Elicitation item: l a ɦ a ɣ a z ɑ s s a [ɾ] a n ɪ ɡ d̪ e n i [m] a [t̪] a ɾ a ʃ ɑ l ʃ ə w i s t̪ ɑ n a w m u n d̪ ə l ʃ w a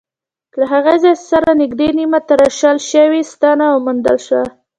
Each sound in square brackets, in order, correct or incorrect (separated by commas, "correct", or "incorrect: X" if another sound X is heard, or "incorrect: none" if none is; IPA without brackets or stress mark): correct, correct, correct